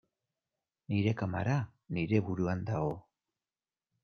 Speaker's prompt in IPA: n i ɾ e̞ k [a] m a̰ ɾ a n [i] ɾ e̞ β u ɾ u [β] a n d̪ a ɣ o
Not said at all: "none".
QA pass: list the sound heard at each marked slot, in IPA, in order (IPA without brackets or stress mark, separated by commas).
a, i, none